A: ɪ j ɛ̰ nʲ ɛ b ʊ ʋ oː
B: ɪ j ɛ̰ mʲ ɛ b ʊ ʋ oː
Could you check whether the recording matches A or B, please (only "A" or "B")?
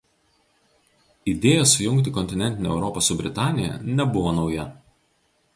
A